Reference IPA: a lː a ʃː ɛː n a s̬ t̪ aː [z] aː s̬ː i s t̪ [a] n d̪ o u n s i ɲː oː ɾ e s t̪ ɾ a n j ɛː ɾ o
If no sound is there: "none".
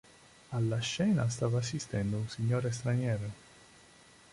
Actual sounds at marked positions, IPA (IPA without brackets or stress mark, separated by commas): v, ɛ